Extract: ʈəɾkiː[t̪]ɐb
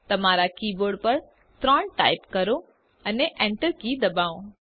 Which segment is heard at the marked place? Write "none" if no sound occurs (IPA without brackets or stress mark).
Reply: d̪